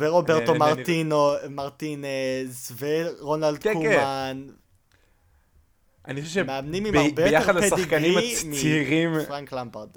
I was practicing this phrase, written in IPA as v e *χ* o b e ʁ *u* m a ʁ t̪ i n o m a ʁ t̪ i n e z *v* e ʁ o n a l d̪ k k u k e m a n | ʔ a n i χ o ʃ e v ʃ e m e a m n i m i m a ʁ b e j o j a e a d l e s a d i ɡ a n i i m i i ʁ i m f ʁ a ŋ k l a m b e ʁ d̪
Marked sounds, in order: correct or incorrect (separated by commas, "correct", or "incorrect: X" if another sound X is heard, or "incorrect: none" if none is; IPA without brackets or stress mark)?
incorrect: ʁ, incorrect: o, correct